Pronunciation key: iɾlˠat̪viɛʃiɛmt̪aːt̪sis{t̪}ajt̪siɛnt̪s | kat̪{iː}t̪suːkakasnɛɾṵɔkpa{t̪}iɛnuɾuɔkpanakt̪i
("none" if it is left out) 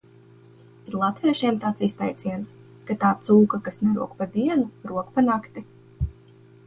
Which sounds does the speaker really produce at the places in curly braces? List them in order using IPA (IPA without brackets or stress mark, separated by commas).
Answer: t̪, aː, d̪